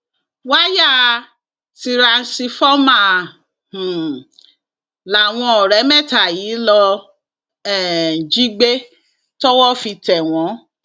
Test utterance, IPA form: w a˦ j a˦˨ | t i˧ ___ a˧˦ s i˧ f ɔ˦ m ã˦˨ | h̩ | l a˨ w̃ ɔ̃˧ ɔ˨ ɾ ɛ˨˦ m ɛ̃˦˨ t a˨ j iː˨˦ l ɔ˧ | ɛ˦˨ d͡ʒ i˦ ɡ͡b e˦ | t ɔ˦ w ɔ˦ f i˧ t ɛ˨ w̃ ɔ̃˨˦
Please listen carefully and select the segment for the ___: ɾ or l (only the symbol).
ɾ